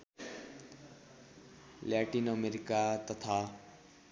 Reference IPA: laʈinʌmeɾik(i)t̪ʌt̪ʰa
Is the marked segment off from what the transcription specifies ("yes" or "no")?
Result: yes